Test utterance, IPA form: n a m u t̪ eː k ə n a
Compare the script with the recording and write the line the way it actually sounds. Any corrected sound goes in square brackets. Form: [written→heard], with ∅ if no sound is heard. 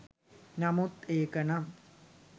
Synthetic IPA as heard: n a m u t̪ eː k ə n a